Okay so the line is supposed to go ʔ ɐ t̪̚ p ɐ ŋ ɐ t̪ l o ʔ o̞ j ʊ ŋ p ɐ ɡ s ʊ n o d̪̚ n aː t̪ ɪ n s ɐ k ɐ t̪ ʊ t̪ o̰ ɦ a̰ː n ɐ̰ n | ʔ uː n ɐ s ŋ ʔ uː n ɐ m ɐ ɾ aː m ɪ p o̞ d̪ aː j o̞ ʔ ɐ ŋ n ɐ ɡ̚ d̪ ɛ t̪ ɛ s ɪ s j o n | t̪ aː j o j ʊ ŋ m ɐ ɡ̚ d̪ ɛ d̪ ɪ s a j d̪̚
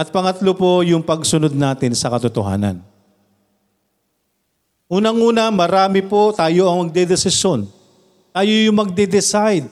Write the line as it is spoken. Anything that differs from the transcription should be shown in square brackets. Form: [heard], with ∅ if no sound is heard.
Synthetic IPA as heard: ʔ ɐ t̪̚ p ɐ ŋ ɐ t̪ l o [p] o̞ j ʊ ŋ p ɐ ɡ s ʊ n o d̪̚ n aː t̪ ɪ n s ɐ k ɐ t̪ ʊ t̪ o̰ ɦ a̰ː n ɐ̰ n | ʔ uː n ɐ [∅] ŋ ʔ uː n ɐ m ɐ ɾ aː m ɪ p o̞ [t̪] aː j o̞ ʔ ɐ ŋ [m] ɐ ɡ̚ d̪ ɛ [d̪] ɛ s ɪ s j o n | t̪ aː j o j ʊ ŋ m ɐ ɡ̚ d̪ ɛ d̪ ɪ s a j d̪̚